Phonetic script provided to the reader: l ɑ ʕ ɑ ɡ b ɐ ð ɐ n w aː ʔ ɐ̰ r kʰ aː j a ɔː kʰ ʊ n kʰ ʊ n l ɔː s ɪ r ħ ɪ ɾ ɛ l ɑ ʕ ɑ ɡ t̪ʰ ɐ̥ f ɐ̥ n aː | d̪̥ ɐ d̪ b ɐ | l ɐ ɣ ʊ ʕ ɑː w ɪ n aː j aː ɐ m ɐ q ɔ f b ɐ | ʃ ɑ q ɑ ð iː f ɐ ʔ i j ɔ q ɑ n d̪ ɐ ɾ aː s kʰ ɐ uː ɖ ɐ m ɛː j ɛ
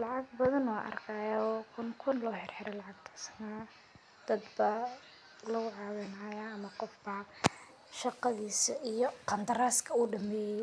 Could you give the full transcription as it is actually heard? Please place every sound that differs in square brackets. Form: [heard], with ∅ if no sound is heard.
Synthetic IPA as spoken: l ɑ ʕ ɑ ɡ b ɐ ð ɐ n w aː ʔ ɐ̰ r kʰ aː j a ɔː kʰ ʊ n kʰ ʊ n l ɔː [ħ] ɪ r ħ ɪ ɾ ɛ l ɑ ʕ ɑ ɡ t̪ʰ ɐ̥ [s] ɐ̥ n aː | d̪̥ ɐ d̪ b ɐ | l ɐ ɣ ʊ ʕ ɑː w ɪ n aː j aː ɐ m ɐ q ɔ f b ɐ | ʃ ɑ q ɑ ð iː [s] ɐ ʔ i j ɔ q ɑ n d̪ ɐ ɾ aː s kʰ ɐ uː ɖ ɐ m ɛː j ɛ